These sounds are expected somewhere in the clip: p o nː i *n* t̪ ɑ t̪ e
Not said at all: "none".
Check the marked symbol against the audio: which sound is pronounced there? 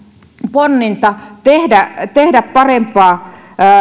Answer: n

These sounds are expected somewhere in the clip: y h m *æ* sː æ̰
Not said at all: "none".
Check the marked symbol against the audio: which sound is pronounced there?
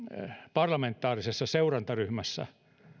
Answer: æ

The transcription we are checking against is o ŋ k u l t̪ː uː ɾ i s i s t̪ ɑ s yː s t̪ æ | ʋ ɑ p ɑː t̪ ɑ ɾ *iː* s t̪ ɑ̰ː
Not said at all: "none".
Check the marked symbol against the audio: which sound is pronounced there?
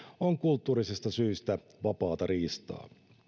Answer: iː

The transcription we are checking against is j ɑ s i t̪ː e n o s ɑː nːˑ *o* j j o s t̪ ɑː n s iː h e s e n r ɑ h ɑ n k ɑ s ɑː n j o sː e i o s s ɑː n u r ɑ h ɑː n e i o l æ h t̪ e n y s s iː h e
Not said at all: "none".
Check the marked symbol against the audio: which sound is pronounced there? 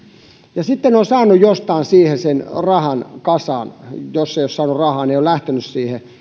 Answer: u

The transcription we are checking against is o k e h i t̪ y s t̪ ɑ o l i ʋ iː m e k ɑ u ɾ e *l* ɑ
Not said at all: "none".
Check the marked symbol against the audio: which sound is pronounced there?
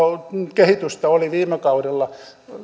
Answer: lː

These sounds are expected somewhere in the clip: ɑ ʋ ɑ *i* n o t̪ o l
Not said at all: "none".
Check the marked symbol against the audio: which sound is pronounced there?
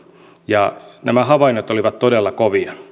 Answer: i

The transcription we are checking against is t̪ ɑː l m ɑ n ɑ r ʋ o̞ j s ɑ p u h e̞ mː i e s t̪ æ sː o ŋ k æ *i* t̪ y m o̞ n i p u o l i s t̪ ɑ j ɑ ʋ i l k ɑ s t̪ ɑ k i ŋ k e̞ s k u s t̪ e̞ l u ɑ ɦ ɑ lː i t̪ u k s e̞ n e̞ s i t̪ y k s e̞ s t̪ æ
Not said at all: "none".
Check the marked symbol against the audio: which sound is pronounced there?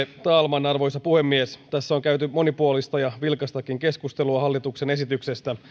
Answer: y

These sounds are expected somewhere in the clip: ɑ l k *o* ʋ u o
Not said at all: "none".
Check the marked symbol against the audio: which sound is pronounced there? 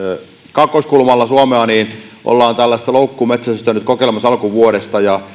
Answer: u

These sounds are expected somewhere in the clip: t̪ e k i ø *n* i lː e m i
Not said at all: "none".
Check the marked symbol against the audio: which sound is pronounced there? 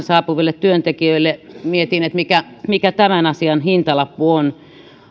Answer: none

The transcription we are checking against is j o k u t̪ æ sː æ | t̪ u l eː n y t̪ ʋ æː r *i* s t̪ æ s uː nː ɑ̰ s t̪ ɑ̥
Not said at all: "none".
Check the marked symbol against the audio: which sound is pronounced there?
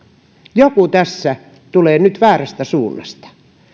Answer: æ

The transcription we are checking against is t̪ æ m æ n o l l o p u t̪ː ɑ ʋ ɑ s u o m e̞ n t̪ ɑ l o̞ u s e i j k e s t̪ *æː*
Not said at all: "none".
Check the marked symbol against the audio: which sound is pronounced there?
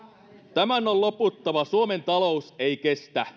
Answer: æ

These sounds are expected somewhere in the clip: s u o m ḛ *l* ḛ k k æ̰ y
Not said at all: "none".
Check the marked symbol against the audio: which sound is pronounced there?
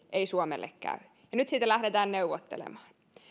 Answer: lː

